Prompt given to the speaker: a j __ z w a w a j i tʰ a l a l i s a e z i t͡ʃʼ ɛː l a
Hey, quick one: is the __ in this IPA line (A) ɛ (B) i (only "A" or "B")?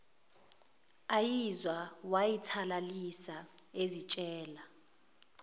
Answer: B